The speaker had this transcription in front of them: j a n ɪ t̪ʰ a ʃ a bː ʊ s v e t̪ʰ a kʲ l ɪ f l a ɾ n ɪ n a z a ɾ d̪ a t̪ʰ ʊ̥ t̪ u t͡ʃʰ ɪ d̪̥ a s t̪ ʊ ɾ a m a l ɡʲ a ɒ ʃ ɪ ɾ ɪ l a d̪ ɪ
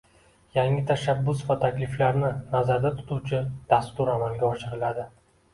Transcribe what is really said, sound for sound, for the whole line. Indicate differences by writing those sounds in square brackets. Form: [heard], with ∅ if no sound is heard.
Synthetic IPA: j a [ŋ] ɪ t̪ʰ a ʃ a bː ʊ s v [a] t̪ʰ a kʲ l ɪ f l a ɾ n ɪ n a z a ɾ d̪ a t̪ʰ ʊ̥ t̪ u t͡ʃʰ ɪ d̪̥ a s t̪ ʊ ɾ a m a l ɡʲ a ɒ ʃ ɪ ɾ ɪ l a d̪ ɪ